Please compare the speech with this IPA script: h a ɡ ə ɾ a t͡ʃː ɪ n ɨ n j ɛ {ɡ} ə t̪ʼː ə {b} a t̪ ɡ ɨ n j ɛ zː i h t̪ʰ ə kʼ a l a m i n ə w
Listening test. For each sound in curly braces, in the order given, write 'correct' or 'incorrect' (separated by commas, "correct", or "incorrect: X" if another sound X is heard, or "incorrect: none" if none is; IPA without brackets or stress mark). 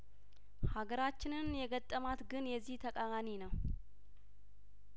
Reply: correct, incorrect: m